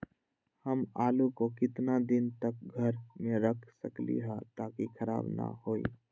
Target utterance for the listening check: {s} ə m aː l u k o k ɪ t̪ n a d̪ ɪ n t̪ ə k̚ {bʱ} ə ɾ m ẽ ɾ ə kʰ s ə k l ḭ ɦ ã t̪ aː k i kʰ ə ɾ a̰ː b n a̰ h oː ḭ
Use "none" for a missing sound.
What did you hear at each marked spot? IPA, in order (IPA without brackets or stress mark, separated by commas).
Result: h, ɡʱ